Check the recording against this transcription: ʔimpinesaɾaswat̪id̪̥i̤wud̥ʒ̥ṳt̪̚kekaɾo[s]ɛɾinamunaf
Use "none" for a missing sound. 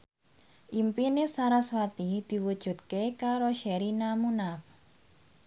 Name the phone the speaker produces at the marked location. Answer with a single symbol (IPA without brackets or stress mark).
ʃ